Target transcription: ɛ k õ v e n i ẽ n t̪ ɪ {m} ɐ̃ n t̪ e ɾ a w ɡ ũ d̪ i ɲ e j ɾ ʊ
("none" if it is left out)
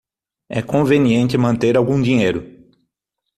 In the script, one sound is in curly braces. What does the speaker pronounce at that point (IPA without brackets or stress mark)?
m